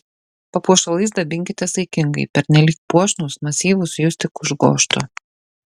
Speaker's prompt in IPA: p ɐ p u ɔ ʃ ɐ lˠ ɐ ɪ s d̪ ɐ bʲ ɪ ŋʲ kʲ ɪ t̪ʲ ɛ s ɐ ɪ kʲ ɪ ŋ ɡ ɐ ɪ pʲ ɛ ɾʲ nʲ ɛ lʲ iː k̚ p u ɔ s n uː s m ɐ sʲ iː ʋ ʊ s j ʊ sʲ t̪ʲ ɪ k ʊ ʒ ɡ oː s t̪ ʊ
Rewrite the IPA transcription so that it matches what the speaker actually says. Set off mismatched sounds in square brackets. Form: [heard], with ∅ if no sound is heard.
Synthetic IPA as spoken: p ɐ p u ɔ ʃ ɐ lˠ ɐ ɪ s d̪ ɐ bʲ ɪ ŋʲ kʲ ɪ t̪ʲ ɛ s ɐ ɪ kʲ ɪ ŋ ɡ ɐ ɪ pʲ ɛ ɾʲ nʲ ɛ lʲ iː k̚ p u ɔ [ʃ] n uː s m ɐ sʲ iː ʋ ʊ s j ʊ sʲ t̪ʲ ɪ k ʊ ʒ ɡ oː [ʃ] t̪ ʊ